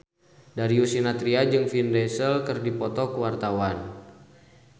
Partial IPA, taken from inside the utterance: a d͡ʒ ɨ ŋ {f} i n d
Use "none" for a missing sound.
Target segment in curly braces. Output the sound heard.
f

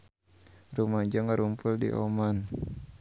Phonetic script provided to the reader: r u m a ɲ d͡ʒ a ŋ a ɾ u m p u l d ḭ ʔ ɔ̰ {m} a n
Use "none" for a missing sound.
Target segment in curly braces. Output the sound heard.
m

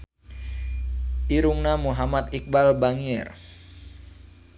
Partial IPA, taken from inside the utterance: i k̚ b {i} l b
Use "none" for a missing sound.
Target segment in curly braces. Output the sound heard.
a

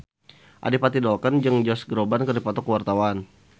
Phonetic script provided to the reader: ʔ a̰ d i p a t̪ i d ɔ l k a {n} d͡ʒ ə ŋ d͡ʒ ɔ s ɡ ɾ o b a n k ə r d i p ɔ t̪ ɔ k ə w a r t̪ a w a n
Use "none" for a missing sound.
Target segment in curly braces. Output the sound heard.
n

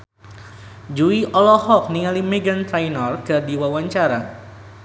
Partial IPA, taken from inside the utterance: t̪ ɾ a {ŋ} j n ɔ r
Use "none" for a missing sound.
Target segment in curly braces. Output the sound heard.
none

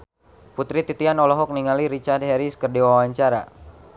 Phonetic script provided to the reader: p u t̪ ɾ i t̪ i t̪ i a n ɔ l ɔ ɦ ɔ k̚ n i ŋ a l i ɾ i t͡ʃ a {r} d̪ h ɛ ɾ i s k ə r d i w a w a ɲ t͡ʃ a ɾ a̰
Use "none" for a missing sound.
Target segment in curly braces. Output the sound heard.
r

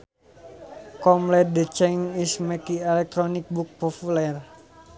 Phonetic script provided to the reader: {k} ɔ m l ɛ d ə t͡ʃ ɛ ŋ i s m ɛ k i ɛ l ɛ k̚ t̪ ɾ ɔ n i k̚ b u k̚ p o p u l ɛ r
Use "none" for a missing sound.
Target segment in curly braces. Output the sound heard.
k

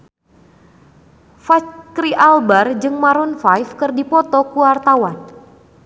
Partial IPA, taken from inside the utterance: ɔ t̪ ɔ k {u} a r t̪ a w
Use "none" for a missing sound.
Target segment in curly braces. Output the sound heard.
u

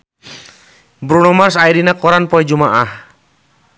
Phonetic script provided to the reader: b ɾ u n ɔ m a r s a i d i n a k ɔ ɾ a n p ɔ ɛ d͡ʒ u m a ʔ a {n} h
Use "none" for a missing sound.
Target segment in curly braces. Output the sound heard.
none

